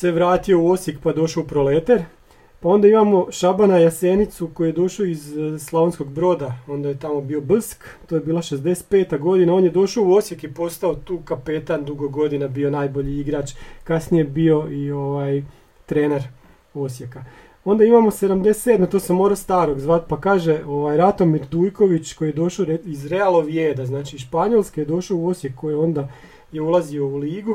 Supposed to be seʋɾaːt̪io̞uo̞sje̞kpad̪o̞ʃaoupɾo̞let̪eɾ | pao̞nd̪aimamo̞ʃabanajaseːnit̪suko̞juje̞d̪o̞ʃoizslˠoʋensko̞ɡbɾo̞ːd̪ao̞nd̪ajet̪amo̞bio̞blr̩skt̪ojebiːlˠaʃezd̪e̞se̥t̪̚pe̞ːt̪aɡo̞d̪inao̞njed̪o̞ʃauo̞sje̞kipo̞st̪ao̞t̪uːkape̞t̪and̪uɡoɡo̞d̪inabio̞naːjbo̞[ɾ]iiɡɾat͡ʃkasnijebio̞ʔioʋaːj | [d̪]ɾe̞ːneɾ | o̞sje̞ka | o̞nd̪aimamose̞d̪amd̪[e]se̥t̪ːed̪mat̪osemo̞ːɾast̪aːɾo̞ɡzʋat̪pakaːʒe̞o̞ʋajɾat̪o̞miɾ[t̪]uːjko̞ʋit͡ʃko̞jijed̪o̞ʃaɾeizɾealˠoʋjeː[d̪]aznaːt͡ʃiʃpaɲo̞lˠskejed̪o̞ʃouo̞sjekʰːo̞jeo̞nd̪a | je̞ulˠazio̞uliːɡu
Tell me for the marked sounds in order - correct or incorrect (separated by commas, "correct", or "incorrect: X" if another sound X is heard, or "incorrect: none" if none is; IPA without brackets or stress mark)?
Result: incorrect: ʎ, incorrect: t̪, correct, incorrect: d̪, correct